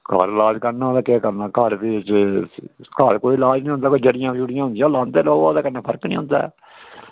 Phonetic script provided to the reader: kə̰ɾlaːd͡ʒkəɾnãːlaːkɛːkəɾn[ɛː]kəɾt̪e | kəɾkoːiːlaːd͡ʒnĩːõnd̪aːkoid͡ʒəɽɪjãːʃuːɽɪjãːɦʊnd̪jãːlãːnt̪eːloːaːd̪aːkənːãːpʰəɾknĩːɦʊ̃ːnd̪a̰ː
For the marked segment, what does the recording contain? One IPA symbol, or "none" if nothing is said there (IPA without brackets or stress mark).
aː